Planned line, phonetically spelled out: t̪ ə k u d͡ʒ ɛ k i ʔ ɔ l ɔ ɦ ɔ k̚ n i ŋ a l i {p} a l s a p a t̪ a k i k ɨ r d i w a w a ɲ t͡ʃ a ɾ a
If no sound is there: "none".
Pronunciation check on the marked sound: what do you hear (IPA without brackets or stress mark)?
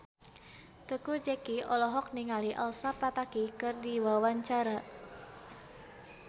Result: ʔ